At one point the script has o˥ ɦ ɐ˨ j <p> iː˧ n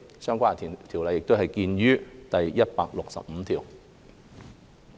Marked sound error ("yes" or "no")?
yes